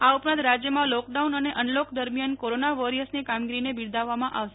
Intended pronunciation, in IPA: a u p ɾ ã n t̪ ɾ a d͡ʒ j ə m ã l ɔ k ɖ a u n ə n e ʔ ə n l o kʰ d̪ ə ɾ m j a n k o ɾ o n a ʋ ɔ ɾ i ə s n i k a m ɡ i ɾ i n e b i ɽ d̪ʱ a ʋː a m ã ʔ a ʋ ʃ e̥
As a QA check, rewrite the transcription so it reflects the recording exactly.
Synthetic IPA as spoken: a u p ɾ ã n t̪ ɾ a d͡ʒ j ə m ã l ɔ k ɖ a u n ə n e ʔ ə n l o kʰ d̪ ə ɾ m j a n k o ɾ o n a ʋ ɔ ɾ i ə s n i k a m ɡ i ɾ i n e b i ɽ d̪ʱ a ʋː a m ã ʔ a ʋ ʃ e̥

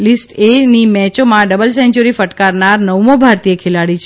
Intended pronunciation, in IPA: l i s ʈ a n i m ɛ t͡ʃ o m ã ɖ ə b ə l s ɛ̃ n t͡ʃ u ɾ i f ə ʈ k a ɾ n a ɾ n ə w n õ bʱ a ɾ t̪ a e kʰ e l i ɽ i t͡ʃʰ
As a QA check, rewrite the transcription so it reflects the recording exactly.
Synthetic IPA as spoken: l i s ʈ e n i m ɛ t͡ʃ o m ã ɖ ə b ə l s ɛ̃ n t͡ʃ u ɾ i f ə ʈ k a ɾ n a ɾ n ə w m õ bʱ a ɾ t̪ i e kʰ e l a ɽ i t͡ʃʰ

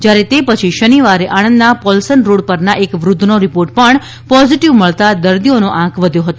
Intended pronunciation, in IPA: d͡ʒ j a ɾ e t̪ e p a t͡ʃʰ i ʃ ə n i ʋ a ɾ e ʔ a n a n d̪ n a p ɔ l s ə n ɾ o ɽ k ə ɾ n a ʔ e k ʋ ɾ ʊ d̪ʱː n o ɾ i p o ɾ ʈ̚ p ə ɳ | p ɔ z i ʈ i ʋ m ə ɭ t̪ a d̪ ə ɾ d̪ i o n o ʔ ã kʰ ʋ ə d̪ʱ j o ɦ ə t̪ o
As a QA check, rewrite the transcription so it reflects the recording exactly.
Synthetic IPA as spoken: d͡ʒ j a ɾ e t̪ e p ə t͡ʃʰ i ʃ ə n i ʋ a ɾ e ʔ a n ə n d̪ n a p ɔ l s ə n ɾ o ɽ p ə ɾ n a ʔ e k ʋ ɾ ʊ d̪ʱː n o ɾ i p o ɾ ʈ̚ p ə ɳ | p ɔ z i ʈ i ʋ m ə ɭ t̪ a d̪ ə ɾ d̪ i o n o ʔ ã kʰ ʋ ə d̪ʱ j o ɦ ə t̪ o

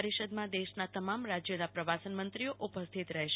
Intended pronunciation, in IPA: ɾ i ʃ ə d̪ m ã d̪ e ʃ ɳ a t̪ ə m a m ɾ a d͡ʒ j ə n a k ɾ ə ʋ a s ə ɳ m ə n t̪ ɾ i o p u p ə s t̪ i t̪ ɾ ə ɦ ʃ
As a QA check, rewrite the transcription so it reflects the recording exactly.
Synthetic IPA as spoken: ɾ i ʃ ə d̪ m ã d̪ e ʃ n a t̪ ə m a m ɾ a d͡ʒ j ə n a p ɾ ə ʋ a s ə n m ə n t̪ ɾ i o ʔ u p ə s t̪ʰ i t̪ ɾ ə ɦ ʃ

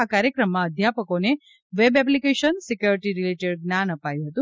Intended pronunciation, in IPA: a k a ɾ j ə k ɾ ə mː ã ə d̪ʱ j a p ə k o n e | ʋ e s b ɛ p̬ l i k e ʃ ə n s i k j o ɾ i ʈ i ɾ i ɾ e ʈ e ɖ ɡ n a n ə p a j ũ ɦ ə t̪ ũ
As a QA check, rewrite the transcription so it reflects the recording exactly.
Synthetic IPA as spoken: a k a ɾ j ə k ɾ ə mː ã ə d̪ʱ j a p ə k o n e | ʋ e b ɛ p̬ l i k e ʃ ə n s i k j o ɾ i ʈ i ɾ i l e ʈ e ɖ ɡ n a n ə p a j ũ ɦ ə t̪ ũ

